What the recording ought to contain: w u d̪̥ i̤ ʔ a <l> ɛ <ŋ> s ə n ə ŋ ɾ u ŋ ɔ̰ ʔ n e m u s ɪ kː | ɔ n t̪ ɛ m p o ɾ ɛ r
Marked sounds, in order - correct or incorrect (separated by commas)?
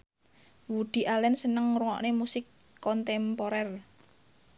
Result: correct, incorrect